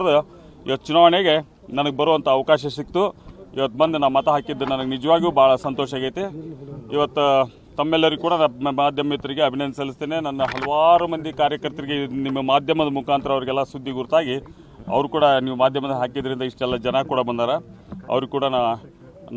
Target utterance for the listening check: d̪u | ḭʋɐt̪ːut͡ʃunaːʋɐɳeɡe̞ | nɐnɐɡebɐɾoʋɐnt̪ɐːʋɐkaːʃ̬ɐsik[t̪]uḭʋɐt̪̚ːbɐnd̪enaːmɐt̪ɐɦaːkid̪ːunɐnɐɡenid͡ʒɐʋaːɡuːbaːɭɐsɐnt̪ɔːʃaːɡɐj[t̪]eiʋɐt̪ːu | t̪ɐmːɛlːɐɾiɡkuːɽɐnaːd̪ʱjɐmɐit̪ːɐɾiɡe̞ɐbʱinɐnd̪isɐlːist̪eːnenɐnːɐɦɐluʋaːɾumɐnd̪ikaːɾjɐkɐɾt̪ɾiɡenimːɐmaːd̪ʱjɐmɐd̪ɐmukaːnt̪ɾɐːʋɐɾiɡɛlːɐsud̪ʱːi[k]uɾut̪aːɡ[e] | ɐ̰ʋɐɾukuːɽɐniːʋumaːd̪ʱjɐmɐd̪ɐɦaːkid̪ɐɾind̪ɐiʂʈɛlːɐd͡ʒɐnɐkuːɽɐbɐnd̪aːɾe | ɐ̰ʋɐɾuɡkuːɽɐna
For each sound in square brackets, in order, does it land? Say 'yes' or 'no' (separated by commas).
yes, yes, no, no